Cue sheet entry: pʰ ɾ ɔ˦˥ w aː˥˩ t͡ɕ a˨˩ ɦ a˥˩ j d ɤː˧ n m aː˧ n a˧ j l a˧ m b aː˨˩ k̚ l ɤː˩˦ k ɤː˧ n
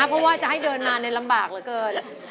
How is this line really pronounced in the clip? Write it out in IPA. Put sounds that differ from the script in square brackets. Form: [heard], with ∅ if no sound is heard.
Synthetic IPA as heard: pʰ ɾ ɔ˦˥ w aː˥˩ t͡ɕ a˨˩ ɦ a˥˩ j d ɤː˧ n m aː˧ n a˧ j l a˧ m b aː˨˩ k̚ l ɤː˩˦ k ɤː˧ n